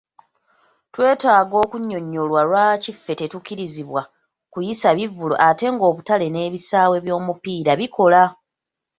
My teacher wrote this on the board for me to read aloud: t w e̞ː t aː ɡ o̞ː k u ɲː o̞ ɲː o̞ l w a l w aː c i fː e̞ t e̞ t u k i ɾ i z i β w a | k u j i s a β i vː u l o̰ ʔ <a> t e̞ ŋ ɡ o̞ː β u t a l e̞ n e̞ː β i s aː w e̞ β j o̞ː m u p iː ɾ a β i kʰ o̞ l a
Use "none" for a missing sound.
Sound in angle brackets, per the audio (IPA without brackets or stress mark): a